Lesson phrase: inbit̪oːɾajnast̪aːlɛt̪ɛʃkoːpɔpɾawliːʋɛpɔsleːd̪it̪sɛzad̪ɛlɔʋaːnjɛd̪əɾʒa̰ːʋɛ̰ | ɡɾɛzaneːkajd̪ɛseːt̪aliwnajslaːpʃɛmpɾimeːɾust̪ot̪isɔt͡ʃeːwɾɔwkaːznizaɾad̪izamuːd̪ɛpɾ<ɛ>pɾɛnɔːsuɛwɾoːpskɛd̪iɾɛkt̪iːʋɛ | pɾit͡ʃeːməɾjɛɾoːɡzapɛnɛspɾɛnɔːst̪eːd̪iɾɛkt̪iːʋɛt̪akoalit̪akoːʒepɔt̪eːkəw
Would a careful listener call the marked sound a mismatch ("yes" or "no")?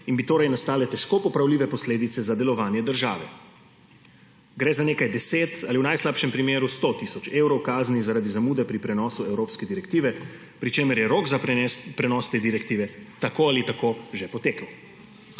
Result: yes